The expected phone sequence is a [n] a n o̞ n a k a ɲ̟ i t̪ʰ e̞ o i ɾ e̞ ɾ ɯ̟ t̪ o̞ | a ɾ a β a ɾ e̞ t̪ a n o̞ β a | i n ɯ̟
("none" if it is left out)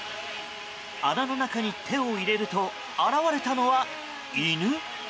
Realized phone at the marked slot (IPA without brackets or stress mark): n